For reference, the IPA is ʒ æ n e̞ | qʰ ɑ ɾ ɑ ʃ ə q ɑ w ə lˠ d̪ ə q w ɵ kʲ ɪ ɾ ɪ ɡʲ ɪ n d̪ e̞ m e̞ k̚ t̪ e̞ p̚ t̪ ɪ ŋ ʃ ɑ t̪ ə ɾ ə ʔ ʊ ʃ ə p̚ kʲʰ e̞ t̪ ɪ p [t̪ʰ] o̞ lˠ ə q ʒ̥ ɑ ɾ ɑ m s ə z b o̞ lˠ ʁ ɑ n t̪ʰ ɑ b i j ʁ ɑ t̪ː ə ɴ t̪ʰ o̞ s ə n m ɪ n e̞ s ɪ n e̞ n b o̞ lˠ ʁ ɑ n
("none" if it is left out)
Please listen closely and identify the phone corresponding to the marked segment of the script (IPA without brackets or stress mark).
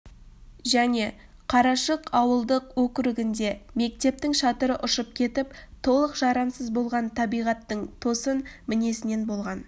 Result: t̪ʰ